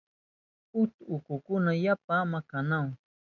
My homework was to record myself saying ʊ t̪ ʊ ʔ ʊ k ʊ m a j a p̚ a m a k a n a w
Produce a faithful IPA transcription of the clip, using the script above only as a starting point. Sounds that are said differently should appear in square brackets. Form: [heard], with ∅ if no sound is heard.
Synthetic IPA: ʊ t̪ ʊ [k] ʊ k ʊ [n] a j a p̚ a m a k a n a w

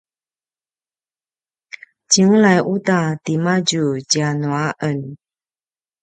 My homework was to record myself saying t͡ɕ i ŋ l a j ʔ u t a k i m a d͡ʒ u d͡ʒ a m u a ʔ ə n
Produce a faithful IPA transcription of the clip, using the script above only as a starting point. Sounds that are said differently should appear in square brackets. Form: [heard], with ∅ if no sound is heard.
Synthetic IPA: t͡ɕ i ŋ l a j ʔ u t a [t] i m a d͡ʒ u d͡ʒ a [n] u a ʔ ə n

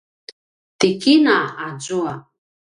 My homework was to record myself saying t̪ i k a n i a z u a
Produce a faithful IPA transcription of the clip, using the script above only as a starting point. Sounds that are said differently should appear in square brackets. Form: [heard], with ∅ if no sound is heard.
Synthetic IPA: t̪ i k [i] n [a] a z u a

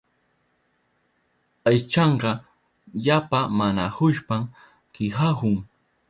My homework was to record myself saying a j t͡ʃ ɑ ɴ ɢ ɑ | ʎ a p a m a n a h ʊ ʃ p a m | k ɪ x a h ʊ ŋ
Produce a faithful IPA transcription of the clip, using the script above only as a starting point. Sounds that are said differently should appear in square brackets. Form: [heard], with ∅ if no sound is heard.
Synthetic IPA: a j t͡ʃ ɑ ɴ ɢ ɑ | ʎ a p a m a n a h ʊ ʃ p a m | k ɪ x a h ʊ ŋ

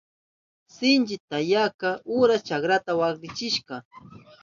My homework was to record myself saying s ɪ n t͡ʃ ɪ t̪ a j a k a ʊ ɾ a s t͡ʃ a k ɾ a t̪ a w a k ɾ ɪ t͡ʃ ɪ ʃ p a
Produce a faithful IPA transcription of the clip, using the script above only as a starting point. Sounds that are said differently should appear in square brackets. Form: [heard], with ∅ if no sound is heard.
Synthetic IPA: s ɪ n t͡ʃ ɪ t̪ a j a k a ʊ ɾ a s t͡ʃ a k ɾ a t̪ a w a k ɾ ɪ t͡ʃ ɪ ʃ [k] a

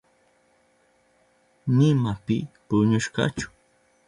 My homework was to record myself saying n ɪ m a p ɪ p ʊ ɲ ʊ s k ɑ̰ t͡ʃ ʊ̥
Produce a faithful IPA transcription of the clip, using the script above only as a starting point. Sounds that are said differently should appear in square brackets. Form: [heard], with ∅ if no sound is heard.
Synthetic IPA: n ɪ m a p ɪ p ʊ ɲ ʊ [ʃ] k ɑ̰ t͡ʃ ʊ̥

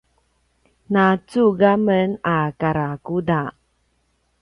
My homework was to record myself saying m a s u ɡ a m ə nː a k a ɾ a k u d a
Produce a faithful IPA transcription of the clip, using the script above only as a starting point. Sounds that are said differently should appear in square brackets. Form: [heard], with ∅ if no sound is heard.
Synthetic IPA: [n] a [t͡s] u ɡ a m ə [n] a k a ɾ a k u d a

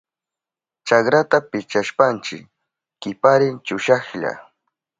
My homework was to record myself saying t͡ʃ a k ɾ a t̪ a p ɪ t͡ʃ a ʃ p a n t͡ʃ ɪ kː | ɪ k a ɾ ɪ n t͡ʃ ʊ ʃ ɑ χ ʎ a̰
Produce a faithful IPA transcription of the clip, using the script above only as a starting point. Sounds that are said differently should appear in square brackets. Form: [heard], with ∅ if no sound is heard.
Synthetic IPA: t͡ʃ a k ɾ a t̪ a p ɪ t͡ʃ a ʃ p a n t͡ʃ ɪ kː | ɪ [p] a ɾ ɪ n t͡ʃ ʊ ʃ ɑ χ ʎ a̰

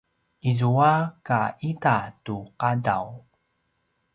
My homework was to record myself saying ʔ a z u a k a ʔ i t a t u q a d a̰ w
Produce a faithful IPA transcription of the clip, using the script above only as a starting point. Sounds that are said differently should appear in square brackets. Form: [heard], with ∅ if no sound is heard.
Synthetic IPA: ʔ [i] z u a k a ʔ i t a t u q a d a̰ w

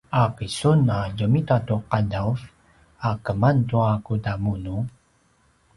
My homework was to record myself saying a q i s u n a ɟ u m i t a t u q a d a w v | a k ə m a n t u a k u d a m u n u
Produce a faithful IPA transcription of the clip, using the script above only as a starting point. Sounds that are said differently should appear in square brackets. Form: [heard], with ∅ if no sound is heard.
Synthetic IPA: a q i s u n a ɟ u m i t a t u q a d a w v | a k ə m a n t u a k u d a m u n u

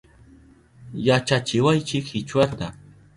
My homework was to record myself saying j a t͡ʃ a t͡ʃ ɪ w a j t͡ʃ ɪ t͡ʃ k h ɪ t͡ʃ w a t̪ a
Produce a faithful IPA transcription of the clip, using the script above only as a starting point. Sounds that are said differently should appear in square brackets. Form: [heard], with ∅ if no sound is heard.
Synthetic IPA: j a t͡ʃ a t͡ʃ ɪ w a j t͡ʃ ɪ [∅] k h ɪ t͡ʃ w a t̪ a

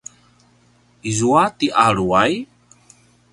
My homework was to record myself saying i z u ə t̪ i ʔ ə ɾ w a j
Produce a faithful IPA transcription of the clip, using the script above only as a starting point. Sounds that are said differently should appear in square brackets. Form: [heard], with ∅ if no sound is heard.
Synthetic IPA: i z u [a] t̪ i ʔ [a] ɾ [u] a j

